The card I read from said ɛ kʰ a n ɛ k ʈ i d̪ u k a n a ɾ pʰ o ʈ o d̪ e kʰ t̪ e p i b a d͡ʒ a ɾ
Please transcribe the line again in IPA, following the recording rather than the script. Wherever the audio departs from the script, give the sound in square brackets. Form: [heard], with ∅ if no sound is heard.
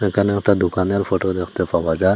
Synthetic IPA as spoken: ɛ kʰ a n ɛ k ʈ [a] d̪ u k a n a ɾ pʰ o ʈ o d̪ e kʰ t̪ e p [a] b a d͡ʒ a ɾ

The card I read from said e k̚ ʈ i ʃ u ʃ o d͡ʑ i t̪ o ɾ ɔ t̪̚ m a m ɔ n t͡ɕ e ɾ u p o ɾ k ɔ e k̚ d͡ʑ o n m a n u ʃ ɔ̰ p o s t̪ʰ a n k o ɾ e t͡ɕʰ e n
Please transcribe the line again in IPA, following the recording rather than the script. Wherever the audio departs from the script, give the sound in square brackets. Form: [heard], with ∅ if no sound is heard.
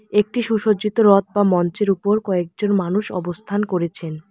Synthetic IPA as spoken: e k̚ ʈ i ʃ u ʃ o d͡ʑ i t̪ o ɾ ɔ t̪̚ [b] a m ɔ n t͡ɕ e ɾ u p o ɾ k ɔ e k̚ d͡ʑ o n m a n u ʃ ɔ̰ [b] o s t̪ʰ a n k o ɾ e t͡ɕʰ e n

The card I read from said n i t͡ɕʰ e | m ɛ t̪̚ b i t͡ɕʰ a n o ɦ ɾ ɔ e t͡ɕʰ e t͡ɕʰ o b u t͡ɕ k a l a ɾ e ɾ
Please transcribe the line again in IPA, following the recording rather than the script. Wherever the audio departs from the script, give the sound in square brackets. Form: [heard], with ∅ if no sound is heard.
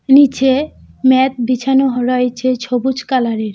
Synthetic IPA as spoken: n i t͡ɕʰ e | m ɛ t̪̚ b i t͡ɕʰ a n o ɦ ɾ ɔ e t͡ɕʰ e t͡ɕʰ o b u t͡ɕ k a l a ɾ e ɾ

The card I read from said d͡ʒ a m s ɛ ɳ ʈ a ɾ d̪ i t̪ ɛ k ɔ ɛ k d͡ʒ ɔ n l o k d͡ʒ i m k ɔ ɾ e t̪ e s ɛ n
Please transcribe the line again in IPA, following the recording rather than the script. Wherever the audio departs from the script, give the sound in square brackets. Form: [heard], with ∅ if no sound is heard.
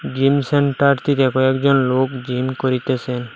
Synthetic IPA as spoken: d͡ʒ [i] m s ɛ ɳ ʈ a ɾ [t̪] i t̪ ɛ k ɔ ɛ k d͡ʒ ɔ n l o k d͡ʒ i m k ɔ ɾ [i] t̪ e s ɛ n

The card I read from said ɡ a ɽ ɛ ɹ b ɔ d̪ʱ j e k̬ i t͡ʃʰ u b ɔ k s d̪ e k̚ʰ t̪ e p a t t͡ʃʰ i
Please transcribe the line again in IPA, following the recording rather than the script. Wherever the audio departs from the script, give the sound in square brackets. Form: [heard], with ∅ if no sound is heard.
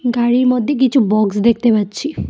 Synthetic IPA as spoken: ɡ a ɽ [i] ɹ [m] ɔ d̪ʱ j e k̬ i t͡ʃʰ u b ɔ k s d̪ e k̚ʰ t̪ e p a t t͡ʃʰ i

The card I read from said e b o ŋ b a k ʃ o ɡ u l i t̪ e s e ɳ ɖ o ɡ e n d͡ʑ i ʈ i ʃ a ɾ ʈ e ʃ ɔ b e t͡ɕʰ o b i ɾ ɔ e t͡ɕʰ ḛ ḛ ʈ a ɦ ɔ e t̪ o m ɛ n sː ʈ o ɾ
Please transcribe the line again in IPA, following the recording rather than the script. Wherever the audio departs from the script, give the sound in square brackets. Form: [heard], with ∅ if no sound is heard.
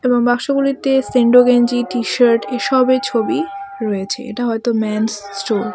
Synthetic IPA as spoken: e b o ŋ b a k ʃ o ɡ u l i t̪ e s e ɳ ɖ o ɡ e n d͡ʑ i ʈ i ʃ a ɾ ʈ e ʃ ɔ b e t͡ɕʰ o b i ɾ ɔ e t͡ɕʰ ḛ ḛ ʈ a ɦ ɔ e t̪ o m ɛ n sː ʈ o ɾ

